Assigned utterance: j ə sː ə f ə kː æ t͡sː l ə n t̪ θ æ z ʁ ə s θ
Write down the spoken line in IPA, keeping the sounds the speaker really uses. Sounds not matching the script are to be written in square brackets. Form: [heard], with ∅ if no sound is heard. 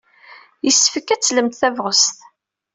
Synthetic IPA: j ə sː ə f ə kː æ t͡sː l ə [m] t̪ θ æ [v] ʁ ə s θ